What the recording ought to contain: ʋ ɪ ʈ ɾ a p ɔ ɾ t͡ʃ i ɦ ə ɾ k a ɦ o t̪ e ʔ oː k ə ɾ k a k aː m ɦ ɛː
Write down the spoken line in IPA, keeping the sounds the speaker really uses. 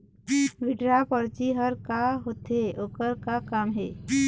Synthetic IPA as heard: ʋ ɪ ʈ ɾ a p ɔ ɾ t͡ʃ i ɦ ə ɾ k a ɦ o t̪ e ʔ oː k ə ɾ k a k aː m ɦ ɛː